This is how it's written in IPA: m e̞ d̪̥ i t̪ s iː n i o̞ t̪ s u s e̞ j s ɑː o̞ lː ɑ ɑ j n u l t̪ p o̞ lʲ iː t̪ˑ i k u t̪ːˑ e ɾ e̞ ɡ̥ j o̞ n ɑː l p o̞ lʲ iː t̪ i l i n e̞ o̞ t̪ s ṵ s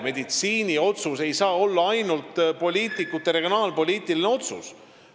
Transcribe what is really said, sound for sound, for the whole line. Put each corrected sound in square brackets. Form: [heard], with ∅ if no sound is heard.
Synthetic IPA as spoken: m e̞ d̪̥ i t̪ s iː n i o̞ t̪ s u s e̞ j s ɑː o̞ lː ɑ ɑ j n u l t̪ p o̞ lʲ iː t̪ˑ i k u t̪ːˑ e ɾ e̞ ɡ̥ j o̞ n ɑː l p o̞ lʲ iː t̪ i l i n e̞ o̞ t̪ s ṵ s